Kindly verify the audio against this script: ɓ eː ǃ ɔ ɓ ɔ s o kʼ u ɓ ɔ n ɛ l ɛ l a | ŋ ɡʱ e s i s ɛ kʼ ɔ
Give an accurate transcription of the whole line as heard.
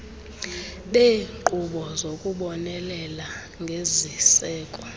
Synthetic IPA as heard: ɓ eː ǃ u ɓ ɔ z o kʼ u ɓ ɔ n ɛ l ɛ l a | ŋ ɡʱ e z i s ɛː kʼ ɔ